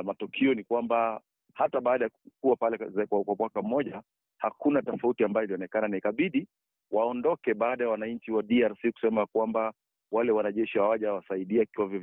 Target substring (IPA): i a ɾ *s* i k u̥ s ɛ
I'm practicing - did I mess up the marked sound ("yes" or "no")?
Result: no